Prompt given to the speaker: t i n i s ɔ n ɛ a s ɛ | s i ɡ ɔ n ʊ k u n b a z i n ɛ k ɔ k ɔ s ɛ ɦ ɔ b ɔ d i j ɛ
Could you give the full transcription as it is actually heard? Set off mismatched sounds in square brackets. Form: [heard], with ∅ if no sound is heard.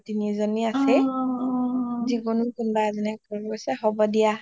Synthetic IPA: t i n i [z] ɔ n [i] a s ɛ | [z] i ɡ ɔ n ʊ k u n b a z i n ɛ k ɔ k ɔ s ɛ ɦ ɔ b ɔ d i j [a]